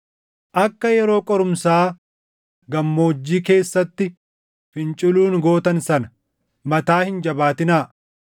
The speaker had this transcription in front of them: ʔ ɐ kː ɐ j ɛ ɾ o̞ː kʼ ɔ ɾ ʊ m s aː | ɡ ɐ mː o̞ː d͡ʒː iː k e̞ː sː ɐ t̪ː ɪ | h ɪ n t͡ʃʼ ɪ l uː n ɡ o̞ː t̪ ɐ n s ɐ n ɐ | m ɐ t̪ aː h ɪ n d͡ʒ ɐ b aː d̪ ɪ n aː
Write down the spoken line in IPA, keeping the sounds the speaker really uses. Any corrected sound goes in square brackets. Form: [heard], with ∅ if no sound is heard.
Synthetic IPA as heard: ʔ ɐ kː ɐ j ɛ ɾ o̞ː kʼ ɔ ɾ ʊ m s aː | ɡ ɐ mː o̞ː d͡ʒː iː k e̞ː sː ɐ t̪ː ɪ | [f] ɪ n t͡ʃʼ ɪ l uː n ɡ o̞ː t̪ ɐ n s ɐ n ɐ | m ɐ t̪ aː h ɪ n d͡ʒ ɐ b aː [t̪] ɪ n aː